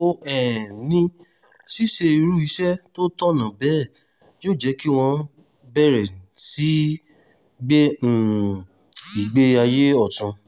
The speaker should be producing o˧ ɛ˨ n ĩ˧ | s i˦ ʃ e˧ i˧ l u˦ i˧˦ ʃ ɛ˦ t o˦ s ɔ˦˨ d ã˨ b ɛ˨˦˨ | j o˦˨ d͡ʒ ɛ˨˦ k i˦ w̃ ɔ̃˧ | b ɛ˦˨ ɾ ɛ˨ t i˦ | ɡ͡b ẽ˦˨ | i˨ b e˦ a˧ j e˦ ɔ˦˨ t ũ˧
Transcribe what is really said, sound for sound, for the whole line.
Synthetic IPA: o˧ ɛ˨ n ĩ˧ | s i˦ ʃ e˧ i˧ ɾ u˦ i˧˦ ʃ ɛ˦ t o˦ t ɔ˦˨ n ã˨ b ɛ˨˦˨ | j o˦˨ d͡ʒ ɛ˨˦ k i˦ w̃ ɔ̃˧ | b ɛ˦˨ ɾ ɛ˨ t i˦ | ɡ͡b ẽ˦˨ | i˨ ɡ͡b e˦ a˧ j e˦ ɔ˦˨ t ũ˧